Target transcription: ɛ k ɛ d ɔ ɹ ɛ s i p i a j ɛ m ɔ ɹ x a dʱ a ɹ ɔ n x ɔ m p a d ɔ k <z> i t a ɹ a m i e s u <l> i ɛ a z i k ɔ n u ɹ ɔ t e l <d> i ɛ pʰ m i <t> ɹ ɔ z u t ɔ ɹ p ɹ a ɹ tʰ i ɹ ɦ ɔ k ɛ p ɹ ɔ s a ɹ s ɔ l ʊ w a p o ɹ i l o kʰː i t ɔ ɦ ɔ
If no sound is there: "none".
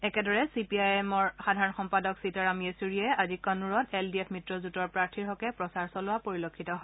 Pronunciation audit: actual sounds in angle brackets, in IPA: s, ɹ, d, t

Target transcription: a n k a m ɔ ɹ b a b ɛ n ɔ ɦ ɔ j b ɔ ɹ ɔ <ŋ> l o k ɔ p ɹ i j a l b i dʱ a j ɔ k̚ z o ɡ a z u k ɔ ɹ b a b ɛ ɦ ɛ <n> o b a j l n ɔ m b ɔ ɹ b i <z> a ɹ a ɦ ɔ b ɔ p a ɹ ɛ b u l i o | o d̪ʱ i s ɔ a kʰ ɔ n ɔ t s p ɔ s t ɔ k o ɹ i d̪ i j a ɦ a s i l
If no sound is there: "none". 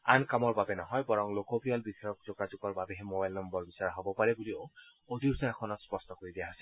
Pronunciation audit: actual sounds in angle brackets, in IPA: ŋ, m, s

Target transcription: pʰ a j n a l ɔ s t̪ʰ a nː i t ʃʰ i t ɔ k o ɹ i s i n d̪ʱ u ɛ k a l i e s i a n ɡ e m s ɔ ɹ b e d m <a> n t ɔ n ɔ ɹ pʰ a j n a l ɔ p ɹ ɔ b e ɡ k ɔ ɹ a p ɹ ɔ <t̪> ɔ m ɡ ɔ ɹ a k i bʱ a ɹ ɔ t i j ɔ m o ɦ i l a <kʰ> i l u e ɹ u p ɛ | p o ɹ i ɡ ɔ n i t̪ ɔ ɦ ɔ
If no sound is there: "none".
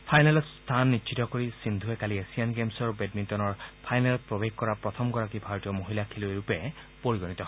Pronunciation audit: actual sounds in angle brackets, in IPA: i, t̪ʰ, kʰ

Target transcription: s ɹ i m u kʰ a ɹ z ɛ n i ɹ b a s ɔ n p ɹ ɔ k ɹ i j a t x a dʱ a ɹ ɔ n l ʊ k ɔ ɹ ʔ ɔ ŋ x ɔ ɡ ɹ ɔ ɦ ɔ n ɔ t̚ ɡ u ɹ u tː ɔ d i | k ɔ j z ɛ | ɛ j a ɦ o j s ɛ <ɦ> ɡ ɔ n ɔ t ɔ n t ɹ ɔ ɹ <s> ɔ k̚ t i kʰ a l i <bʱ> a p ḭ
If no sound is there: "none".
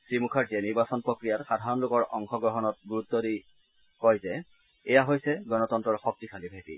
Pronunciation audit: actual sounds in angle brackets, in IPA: none, x, bʱ

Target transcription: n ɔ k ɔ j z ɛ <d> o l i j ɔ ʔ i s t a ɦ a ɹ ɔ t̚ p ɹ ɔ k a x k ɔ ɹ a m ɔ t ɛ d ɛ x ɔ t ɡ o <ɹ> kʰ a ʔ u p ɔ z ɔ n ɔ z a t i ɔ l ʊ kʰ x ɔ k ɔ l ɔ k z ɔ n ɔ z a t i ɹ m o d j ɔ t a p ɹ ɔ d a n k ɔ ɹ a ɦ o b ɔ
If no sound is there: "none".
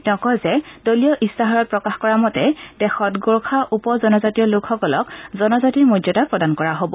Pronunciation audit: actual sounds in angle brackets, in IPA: d, ɹ

